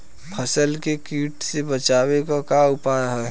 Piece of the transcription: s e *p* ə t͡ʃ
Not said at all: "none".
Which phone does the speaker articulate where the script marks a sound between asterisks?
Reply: b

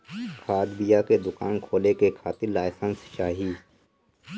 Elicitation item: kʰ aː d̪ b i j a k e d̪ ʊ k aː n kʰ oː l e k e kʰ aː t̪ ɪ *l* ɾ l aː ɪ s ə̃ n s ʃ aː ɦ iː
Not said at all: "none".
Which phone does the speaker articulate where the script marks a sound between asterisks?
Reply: none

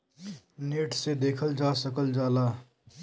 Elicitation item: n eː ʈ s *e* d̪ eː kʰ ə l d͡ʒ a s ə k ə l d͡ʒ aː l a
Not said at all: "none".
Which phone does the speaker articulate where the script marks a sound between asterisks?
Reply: e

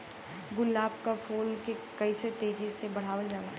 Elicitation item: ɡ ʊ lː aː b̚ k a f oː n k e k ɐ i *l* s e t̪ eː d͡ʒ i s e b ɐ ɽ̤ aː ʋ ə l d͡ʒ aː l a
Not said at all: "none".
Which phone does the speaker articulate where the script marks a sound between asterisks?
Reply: none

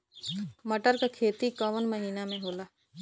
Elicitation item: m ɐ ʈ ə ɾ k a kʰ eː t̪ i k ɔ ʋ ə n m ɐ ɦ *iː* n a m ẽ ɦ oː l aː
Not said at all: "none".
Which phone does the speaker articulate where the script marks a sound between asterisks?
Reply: iː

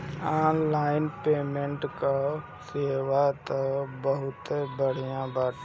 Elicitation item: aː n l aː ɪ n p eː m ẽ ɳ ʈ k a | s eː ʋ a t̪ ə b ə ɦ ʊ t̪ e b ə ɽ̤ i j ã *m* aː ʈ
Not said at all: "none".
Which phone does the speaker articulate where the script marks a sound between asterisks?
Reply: b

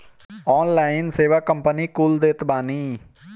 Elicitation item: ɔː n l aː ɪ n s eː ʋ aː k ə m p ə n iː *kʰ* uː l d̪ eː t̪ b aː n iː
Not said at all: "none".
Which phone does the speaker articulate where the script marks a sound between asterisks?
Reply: k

